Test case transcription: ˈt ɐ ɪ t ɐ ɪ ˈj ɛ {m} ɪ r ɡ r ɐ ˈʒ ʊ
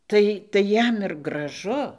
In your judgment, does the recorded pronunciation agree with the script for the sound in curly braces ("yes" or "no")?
yes